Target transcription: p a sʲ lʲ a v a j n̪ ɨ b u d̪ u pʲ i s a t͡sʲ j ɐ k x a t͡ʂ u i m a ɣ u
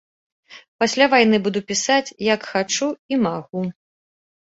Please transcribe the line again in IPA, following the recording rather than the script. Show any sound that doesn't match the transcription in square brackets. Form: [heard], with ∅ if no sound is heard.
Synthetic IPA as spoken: p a sʲ lʲ a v a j n̪ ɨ b u d̪ u pʲ i s a t͡sʲ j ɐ k x a t͡ʂ u i m a ɣ u